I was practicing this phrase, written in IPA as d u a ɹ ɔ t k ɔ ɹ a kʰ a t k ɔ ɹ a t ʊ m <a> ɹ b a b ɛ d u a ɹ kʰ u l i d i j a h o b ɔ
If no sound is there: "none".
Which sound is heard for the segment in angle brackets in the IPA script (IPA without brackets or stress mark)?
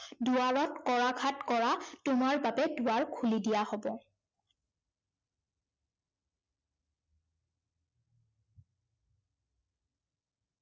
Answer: a